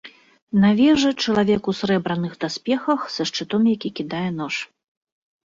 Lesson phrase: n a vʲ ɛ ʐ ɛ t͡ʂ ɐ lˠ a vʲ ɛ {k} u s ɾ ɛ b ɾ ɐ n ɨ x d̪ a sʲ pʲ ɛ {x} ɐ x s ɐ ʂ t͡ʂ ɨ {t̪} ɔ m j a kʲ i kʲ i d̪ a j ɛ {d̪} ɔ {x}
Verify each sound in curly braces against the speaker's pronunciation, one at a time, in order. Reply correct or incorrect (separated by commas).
correct, correct, correct, incorrect, incorrect